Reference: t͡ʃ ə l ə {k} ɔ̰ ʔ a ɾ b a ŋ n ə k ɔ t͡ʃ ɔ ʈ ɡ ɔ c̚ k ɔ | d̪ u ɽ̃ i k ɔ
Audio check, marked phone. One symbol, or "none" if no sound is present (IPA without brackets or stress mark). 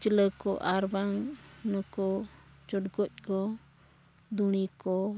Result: k